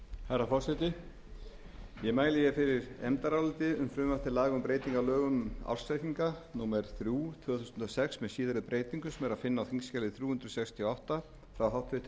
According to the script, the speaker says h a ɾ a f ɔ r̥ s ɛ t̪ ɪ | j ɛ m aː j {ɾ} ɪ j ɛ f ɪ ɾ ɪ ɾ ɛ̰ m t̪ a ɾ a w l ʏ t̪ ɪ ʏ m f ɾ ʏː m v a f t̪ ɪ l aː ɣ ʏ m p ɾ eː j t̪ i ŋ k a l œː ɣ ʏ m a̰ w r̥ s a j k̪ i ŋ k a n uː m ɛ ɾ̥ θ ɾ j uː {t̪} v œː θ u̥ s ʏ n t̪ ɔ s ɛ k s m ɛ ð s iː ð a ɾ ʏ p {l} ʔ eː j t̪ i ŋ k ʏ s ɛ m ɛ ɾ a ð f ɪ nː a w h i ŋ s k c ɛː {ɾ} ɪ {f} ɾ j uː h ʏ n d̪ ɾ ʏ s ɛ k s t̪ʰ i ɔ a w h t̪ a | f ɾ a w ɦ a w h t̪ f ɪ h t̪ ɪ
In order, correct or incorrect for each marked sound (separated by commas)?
incorrect, incorrect, incorrect, incorrect, incorrect